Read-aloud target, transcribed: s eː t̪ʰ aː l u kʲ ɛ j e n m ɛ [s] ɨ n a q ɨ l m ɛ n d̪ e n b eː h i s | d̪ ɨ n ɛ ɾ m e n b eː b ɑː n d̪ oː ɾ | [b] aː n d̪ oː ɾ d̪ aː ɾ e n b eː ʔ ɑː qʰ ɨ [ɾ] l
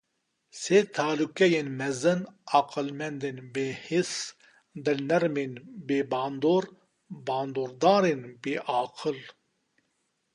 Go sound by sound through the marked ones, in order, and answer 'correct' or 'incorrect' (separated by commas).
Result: incorrect, correct, incorrect